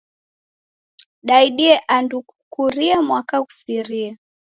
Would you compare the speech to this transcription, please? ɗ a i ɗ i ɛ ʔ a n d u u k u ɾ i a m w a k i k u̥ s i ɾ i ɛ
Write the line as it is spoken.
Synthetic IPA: ɗ a i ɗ i ɛ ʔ a n d u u k u ɾ i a m w a k a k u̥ s i ɾ i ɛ